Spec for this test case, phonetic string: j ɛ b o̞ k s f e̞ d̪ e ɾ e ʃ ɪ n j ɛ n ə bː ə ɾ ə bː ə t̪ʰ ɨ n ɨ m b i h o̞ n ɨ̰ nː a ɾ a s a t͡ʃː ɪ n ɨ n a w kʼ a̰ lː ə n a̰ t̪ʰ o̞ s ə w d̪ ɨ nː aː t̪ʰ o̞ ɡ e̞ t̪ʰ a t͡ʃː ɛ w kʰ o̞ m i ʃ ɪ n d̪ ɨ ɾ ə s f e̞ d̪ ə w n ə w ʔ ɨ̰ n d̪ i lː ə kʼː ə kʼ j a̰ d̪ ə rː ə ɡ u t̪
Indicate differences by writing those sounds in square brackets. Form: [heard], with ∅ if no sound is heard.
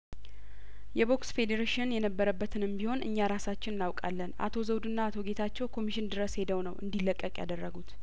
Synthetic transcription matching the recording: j ɛ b o̞ k s f e̞ d̪ e ɾ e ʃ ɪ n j ɛ n ə bː ə ɾ ə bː ə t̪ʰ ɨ n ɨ m b i h o̞ n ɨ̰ [ɲː] a ɾ a s a t͡ʃː ɪ n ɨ n a w kʼ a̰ lː ə n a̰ t̪ʰ o̞ [z] ə w d̪ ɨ nː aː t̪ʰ o̞ ɡ e̞ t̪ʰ a t͡ʃː ɛ w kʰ o̞ m i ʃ ɪ n d̪ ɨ ɾ ə s [h] e̞ d̪ ə w n ə w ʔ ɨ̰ n d̪ i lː ə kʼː ə kʼ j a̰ d̪ ə rː ə ɡ u t̪